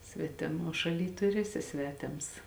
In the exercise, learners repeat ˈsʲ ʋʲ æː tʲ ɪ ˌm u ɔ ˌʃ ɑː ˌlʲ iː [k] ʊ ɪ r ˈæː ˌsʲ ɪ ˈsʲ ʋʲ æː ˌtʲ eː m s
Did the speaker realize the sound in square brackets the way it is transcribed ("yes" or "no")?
no